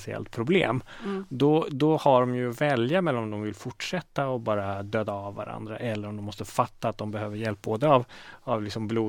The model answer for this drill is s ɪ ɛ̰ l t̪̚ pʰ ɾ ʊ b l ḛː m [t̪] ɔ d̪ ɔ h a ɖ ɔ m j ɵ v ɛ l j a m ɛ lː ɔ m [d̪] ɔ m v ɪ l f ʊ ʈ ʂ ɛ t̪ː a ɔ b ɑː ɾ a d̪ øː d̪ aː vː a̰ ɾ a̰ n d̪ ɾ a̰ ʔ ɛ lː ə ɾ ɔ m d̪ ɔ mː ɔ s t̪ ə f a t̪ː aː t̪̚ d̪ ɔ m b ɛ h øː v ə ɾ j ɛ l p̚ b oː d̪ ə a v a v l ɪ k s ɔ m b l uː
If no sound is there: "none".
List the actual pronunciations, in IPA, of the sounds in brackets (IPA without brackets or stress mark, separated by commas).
d̪, d̪